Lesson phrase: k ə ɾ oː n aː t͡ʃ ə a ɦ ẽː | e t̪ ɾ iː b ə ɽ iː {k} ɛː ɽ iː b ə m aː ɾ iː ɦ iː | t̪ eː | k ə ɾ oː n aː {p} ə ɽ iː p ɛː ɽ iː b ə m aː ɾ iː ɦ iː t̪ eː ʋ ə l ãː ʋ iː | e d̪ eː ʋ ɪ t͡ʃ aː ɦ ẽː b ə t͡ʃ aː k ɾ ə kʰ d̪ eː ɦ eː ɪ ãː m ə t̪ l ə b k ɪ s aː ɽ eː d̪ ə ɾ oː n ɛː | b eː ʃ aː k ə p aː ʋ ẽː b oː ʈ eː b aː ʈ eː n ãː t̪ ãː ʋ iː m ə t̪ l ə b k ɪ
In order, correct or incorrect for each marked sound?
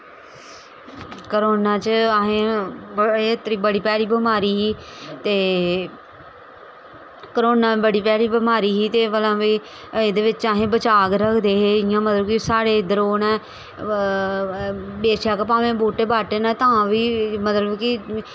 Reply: incorrect: p, incorrect: b

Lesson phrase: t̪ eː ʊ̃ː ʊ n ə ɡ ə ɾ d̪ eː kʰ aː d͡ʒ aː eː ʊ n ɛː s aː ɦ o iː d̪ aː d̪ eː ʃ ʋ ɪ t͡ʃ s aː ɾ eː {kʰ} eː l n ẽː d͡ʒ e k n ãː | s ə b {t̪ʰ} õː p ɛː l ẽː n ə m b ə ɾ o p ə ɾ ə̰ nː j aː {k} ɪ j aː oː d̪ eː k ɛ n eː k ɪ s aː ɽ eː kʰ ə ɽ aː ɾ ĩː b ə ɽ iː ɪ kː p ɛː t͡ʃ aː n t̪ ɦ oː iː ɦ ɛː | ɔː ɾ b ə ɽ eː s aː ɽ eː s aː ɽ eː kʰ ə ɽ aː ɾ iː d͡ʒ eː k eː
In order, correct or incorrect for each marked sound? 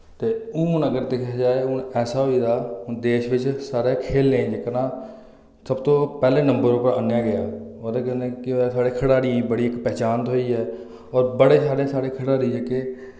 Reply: correct, incorrect: t̪, incorrect: ɡ

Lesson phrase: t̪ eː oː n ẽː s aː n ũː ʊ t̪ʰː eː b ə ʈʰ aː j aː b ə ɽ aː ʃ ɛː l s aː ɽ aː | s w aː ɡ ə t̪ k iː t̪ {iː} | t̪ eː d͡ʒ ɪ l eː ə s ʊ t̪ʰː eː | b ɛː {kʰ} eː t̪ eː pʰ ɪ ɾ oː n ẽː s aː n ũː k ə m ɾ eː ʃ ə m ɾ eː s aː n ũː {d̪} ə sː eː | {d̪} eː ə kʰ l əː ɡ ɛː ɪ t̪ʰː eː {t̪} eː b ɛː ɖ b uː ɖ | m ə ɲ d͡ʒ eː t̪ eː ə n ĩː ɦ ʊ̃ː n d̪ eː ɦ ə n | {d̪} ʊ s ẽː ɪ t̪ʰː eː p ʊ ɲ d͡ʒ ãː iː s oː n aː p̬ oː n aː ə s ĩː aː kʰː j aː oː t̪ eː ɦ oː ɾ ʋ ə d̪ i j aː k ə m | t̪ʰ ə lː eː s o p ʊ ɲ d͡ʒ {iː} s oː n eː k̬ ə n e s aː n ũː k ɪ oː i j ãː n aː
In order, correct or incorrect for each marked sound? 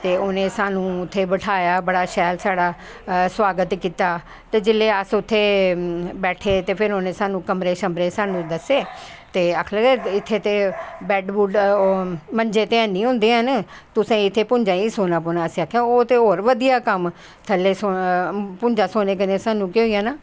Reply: incorrect: aː, incorrect: ʈʰ, correct, incorrect: t̪, correct, incorrect: t̪, incorrect: aː

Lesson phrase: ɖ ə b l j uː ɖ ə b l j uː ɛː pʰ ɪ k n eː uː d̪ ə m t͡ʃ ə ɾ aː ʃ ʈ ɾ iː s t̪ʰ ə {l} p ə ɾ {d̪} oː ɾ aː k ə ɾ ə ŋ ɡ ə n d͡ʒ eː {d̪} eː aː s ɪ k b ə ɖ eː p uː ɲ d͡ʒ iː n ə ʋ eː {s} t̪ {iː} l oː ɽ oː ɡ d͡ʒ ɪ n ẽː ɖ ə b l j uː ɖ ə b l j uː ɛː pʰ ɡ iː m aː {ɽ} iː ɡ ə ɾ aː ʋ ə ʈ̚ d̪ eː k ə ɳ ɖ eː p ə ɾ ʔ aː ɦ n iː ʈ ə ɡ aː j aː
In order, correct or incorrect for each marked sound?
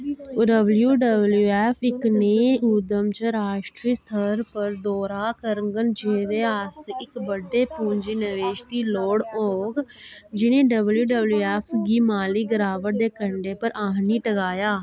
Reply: incorrect: ɾ, correct, correct, incorrect: ʃ, correct, incorrect: l

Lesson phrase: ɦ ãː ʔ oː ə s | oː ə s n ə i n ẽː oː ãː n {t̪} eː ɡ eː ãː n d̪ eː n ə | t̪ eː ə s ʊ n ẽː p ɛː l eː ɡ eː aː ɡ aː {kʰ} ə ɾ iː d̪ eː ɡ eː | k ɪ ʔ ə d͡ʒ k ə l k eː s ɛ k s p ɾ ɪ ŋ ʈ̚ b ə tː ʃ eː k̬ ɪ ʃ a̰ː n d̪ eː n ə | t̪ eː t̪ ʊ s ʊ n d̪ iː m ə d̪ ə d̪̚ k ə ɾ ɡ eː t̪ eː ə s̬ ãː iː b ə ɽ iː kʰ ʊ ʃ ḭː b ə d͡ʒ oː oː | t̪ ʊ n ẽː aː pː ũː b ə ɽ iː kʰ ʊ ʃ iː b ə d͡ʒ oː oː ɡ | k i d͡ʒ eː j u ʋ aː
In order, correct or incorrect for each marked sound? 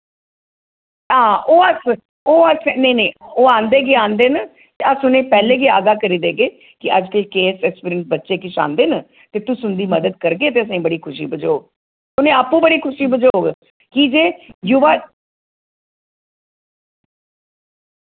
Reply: incorrect: d̪, incorrect: k

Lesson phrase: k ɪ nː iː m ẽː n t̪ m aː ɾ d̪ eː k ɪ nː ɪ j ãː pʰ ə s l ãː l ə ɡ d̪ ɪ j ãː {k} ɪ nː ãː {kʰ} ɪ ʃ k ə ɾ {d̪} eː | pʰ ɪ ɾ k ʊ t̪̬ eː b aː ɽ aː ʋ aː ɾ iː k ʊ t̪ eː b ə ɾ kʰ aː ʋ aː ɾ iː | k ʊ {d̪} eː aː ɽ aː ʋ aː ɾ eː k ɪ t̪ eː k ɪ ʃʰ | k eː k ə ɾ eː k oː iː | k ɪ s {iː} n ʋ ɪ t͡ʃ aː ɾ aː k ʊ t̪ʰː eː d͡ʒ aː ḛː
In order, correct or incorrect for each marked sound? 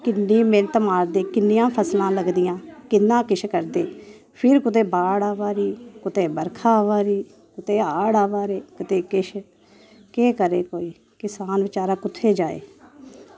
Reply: correct, incorrect: k, correct, incorrect: t̪, incorrect: aː

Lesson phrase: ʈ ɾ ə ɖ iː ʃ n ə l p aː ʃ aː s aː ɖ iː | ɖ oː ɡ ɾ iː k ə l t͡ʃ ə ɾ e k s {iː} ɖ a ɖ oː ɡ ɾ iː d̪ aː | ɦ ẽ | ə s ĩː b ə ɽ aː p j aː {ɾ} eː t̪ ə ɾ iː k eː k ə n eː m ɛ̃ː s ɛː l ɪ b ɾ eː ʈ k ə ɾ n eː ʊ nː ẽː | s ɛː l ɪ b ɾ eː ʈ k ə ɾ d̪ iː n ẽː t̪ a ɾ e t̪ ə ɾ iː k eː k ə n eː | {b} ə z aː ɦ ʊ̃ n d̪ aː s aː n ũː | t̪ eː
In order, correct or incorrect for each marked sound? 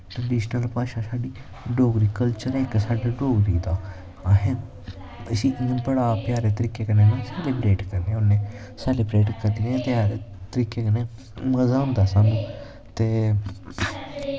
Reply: incorrect: aː, correct, incorrect: m

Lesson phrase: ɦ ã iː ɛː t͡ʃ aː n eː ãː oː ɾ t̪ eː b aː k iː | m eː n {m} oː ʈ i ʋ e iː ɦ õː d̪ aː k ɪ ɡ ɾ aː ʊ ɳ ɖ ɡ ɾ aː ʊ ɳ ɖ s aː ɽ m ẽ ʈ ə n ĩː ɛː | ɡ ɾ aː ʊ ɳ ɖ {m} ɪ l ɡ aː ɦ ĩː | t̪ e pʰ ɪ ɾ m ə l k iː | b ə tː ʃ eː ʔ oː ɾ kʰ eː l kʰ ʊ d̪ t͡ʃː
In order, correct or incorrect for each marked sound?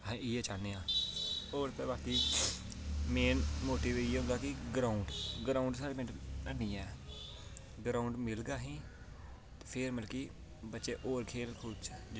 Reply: correct, correct

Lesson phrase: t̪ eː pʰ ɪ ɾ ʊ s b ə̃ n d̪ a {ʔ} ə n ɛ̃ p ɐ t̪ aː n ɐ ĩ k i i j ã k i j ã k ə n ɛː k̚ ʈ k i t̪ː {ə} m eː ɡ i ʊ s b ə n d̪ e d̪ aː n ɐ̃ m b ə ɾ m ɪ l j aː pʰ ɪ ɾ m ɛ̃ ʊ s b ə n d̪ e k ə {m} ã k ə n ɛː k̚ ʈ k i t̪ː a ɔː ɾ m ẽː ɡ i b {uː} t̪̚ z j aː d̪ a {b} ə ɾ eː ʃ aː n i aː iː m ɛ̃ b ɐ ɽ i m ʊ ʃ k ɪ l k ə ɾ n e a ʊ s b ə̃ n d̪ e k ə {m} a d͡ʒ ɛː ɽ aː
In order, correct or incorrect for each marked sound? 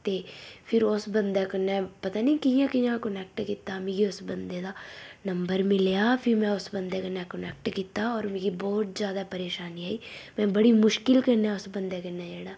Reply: incorrect: k, incorrect: a, incorrect: n, incorrect: ɔː, incorrect: p, incorrect: n

